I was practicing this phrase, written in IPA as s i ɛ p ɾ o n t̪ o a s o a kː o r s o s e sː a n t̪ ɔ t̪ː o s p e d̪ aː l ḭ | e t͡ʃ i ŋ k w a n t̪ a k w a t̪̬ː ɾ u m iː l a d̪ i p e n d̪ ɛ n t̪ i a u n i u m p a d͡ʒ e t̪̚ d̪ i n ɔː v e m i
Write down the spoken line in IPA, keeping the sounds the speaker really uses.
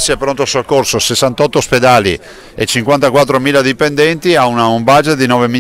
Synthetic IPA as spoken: s i ɛ p ɾ o n t̪ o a s o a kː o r s o s e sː a n t̪ ɔ t̪ː o s p e d̪ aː l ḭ | e t͡ʃ i ŋ k w a n t̪ a k w a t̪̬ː ɾ o m iː l a d̪ i p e n d̪ ɛ n t̪ i a u n a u m b a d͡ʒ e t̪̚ d̪ i n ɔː v e m i